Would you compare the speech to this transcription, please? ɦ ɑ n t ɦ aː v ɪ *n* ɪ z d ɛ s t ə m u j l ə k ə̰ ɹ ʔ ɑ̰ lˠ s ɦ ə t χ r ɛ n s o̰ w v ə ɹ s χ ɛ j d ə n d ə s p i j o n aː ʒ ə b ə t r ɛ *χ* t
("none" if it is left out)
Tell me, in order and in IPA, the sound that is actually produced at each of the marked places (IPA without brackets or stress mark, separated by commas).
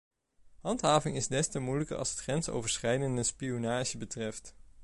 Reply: ŋ, f